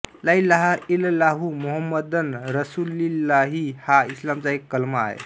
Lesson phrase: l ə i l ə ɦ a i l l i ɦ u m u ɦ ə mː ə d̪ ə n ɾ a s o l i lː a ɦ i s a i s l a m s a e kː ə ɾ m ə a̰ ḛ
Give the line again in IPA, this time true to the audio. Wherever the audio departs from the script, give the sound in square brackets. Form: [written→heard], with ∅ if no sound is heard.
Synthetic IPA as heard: l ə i l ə ɦ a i l l [i→a] ɦ u m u ɦ ə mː ə d̪ ə n ɾ [a→ə] s [o→u] l i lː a ɦ i [s→h] a i s l a m [s→t͡s] a e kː ə [ɾ→l] m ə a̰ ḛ